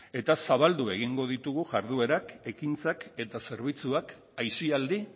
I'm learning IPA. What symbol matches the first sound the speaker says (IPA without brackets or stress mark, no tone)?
e̞